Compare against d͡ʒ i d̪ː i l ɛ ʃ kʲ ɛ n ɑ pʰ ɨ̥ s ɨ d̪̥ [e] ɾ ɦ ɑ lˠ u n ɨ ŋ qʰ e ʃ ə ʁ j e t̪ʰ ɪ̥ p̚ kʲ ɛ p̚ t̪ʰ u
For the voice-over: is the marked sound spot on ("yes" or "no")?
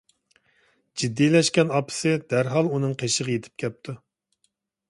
no